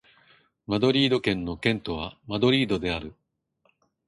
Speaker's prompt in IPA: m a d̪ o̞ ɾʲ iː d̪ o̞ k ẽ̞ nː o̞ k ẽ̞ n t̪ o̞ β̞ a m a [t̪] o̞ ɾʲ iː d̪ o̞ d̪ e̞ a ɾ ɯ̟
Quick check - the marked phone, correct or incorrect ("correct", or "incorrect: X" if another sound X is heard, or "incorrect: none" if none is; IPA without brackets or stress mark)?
incorrect: d̪